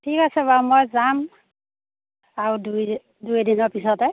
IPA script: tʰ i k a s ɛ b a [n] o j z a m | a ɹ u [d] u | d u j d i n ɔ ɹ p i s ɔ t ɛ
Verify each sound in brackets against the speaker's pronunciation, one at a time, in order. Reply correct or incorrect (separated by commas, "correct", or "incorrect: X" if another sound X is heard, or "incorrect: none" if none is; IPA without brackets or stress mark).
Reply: incorrect: m, correct